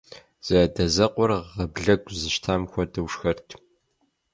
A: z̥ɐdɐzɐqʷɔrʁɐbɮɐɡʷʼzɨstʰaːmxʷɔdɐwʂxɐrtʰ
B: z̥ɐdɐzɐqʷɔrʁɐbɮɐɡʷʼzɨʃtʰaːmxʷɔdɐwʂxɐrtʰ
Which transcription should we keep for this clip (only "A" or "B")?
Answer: B